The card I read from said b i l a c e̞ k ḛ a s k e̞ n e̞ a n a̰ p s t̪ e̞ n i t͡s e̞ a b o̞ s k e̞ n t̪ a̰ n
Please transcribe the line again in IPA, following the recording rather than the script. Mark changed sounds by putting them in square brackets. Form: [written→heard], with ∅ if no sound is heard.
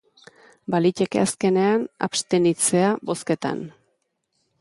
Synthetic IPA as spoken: b [i→a] l [a→i] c e̞ k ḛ a s k e̞ n e̞ a n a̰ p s t̪ e̞ n i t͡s e̞ a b o̞ s k e̞ [n→∅] t̪ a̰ n